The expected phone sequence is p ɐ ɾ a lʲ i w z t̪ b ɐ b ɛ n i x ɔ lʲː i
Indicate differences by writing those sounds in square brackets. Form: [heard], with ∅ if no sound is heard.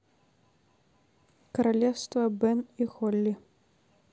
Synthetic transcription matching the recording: [k] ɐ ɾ a lʲ [ɛ] w [s] t̪ [v] ɐ b ɛ n i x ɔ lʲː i